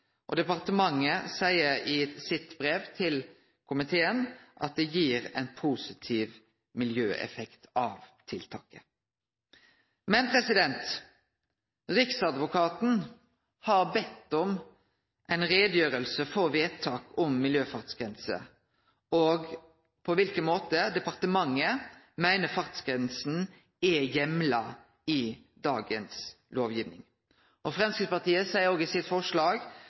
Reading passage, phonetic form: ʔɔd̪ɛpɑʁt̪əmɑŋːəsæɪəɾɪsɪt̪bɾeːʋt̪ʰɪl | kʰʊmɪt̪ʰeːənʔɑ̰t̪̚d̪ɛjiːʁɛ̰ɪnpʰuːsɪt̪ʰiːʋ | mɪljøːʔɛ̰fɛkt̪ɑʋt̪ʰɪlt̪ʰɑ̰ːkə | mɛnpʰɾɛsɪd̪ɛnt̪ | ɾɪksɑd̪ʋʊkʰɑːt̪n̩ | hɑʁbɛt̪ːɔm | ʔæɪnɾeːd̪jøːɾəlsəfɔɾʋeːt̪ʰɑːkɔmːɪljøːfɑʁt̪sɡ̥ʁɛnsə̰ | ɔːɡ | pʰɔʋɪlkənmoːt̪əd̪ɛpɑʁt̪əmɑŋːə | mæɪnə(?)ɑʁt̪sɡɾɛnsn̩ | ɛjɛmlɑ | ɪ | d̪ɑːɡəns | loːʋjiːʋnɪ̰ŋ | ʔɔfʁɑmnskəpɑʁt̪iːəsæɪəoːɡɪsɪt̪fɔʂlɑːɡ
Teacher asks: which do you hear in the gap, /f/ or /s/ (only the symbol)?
f